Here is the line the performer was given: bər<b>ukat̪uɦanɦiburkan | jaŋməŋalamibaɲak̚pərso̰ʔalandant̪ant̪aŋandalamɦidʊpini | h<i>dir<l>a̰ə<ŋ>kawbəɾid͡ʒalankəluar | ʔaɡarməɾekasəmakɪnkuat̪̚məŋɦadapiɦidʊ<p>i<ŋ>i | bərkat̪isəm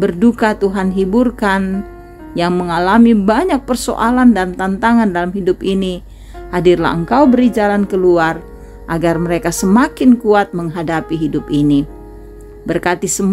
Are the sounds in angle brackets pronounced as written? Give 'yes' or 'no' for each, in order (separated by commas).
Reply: no, no, yes, yes, yes, no